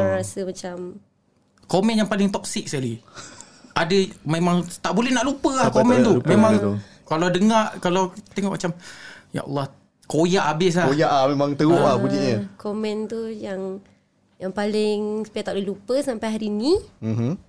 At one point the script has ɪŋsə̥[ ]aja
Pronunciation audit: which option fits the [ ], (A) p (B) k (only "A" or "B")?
A